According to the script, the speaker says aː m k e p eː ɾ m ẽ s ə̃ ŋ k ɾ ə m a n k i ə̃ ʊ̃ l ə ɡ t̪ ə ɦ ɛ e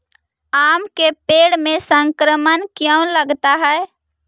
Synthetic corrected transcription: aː m k e p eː ɽ m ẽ s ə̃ ŋ k ɾ ə m ə n k j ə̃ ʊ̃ l ə ɡ t̪ a ɦ ɛ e